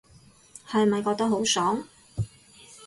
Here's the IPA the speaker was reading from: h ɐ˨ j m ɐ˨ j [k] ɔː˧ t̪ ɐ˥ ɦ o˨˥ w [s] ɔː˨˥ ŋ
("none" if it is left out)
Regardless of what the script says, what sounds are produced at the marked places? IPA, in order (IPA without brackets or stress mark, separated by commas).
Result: k, s